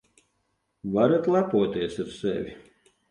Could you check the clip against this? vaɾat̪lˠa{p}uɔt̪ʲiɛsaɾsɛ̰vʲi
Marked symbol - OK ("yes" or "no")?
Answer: yes